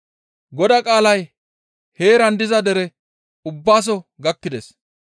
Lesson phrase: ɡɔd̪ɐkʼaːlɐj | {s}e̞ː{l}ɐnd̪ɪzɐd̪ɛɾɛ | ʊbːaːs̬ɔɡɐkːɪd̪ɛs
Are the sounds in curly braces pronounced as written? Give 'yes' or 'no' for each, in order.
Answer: no, no

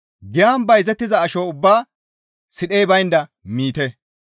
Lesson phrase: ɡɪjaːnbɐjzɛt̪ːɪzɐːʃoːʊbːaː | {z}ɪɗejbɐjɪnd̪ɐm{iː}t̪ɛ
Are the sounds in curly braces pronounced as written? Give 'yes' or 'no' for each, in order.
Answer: no, yes

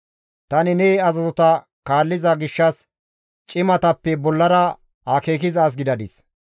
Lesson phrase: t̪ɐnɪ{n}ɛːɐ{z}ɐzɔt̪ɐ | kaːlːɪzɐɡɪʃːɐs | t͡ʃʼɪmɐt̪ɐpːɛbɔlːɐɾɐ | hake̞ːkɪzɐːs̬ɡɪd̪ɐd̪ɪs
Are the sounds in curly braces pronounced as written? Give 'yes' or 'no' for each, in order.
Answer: yes, yes

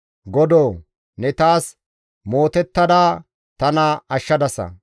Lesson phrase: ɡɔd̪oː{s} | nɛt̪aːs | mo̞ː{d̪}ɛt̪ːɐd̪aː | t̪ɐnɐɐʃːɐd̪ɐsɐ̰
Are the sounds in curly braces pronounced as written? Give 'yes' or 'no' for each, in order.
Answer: no, no

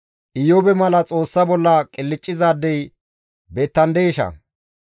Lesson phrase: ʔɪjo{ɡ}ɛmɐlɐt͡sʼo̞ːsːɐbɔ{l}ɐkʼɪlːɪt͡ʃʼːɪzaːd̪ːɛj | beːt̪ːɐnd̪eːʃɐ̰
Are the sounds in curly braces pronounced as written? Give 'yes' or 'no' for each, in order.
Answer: no, no

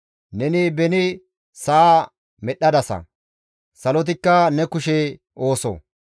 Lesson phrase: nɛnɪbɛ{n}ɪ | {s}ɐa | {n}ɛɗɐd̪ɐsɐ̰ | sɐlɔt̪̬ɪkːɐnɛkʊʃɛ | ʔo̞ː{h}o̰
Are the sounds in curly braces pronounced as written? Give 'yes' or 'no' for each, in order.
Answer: yes, yes, no, no

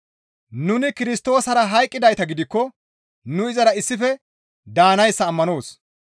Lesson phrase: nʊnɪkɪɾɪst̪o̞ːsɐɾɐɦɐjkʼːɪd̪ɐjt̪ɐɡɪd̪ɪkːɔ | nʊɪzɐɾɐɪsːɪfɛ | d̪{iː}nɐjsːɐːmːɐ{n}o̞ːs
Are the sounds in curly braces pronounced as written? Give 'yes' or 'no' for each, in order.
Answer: no, yes

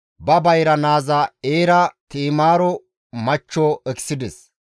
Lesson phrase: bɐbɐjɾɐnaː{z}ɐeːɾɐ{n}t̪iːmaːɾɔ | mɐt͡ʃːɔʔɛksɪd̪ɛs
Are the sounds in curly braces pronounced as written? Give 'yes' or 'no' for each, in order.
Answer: yes, no

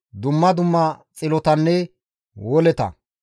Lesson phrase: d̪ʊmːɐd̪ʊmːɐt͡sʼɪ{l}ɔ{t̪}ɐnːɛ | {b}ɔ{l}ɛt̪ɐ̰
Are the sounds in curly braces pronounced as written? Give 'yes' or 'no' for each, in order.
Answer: yes, yes, no, yes

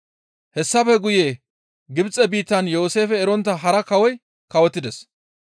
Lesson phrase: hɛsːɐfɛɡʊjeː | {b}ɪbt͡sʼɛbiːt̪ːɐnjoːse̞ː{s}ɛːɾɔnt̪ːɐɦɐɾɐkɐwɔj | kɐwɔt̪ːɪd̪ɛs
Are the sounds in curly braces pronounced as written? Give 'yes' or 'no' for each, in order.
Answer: no, no

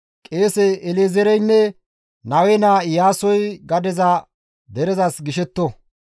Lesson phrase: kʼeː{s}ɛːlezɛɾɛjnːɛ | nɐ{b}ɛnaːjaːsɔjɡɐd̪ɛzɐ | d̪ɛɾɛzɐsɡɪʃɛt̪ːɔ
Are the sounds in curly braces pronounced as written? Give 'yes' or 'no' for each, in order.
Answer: yes, no

